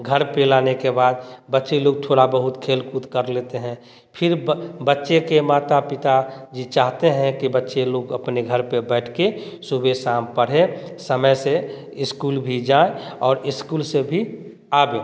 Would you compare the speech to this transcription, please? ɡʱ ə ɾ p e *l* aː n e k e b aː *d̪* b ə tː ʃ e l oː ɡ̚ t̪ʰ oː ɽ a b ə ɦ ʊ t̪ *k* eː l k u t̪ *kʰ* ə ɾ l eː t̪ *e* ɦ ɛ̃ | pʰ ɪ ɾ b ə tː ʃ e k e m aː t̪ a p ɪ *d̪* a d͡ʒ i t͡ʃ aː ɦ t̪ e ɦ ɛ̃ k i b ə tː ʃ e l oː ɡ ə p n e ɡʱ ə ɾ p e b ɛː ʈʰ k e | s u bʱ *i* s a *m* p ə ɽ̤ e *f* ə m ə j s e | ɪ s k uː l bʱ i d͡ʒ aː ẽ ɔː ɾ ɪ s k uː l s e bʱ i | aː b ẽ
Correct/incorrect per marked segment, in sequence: correct, correct, incorrect: kʰ, incorrect: k, correct, incorrect: t̪, incorrect: e, correct, incorrect: s

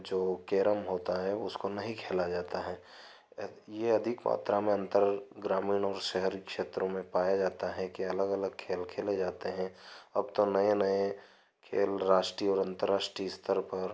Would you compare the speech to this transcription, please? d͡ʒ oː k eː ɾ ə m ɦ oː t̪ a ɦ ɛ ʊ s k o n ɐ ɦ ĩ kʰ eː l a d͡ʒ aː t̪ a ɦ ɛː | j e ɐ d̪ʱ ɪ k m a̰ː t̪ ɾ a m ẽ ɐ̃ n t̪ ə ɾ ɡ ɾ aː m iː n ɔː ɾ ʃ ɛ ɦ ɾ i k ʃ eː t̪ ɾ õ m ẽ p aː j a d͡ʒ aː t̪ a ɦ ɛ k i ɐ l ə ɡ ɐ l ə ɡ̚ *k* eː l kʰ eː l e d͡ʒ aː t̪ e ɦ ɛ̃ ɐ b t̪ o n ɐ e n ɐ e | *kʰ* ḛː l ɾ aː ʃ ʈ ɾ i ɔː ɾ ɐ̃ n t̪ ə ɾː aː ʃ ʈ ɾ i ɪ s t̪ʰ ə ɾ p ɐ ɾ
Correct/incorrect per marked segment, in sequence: incorrect: kʰ, correct

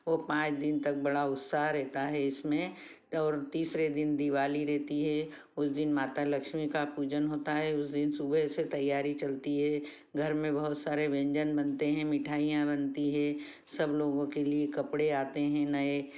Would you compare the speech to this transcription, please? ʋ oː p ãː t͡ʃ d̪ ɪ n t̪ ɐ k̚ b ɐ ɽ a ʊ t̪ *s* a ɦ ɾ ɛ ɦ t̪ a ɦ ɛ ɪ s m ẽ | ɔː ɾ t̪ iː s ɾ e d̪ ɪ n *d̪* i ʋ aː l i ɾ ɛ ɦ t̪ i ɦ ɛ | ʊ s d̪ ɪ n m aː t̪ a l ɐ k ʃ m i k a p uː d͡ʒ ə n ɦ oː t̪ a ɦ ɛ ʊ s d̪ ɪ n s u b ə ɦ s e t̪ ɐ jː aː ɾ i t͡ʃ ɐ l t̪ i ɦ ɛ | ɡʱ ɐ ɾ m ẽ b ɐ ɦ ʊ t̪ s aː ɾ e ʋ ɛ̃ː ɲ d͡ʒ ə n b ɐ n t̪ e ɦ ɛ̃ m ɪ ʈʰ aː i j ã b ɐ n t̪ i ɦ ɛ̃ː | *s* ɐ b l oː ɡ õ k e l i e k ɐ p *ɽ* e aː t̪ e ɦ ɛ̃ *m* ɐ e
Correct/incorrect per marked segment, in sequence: correct, correct, correct, correct, incorrect: n

